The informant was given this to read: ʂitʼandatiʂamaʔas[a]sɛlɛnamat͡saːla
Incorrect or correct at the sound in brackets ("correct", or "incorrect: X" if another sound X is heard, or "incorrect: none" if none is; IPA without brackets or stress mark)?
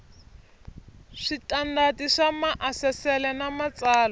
incorrect: ɛ